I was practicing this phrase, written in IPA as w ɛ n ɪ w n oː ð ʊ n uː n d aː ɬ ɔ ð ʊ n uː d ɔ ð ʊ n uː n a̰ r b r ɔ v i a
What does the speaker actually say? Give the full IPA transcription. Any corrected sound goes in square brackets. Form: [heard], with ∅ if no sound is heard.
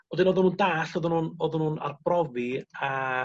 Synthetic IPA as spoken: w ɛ [d] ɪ [∅] n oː ð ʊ n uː n d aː ɬ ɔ ð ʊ n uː [n] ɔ ð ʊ n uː n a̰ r b r ɔ v i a